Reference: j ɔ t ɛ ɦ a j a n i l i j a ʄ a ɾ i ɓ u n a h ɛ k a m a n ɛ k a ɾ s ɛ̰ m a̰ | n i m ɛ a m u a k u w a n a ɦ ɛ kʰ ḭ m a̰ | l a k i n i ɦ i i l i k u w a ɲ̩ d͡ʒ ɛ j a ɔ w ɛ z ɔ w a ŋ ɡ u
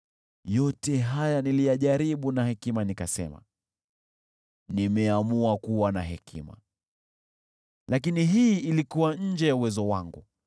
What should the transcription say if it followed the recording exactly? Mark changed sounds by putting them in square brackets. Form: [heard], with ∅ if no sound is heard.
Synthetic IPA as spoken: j ɔ t ɛ ɦ a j a n i l i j a ʄ a ɾ i ɓ u n a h ɛ k [i] m a n [i] k a [∅] s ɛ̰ m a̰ | n i m ɛ a m u a k u w a n a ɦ ɛ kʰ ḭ m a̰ | l a k i n i ɦ i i l i k u w a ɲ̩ d͡ʒ ɛ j a [u] w ɛ z ɔ w a ŋ ɡ u